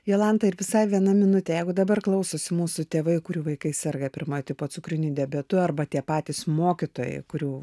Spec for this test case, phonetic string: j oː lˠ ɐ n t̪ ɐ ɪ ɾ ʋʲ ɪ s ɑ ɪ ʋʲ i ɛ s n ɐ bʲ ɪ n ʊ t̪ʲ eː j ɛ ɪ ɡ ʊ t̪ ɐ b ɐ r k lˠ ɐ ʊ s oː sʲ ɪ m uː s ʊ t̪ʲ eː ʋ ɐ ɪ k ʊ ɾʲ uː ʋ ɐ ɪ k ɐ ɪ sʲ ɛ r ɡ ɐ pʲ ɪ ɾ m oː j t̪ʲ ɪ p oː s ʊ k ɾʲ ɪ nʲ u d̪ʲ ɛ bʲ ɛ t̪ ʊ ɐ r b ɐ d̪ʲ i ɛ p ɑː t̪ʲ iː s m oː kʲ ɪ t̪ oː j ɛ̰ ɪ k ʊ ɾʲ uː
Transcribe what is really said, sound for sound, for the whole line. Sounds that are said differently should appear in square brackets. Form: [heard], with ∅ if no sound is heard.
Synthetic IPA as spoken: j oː lˠ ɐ n t̪ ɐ ɪ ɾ ʋʲ ɪ s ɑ ɪ ʋʲ i ɛ [∅] n ɐ [mʲ] ɪ n ʊ t̪ʲ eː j ɛ ɪ ɡ ʊ [d̪] ɐ b ɐ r k lˠ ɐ ʊ s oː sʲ ɪ m uː s ʊ t̪ʲ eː ʋ ɐ ɪ k ʊ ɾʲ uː ʋ ɐ ɪ k ɐ ɪ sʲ ɛ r ɡ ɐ pʲ ɪ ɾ m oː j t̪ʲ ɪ p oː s ʊ k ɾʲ ɪ nʲ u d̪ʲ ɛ bʲ ɛ t̪ ʊ ɐ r b ɐ [t̪ʲ] i ɛ p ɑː t̪ʲ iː s m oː kʲ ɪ t̪ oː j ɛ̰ ɪ k ʊ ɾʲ uː